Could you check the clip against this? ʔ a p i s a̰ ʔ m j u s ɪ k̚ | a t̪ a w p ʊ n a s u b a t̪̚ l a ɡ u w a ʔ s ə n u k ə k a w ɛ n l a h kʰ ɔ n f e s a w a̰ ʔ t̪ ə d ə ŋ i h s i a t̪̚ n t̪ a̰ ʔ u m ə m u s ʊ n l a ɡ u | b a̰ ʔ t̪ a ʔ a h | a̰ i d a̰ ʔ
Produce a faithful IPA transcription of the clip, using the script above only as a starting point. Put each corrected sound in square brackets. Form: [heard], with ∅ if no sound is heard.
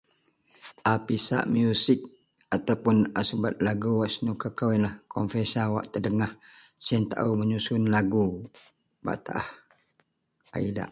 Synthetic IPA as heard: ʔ a p i s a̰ ʔ m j u s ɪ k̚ | a t̪ a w p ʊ n a s u b a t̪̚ l a ɡ u w a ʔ s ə n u k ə k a w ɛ n l a h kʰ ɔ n f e s a w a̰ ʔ t̪ ə d ə ŋ [a] h s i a [∅] n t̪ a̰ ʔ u m ə [ɲ] u s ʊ n l a ɡ u | b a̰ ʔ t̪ a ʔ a h | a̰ i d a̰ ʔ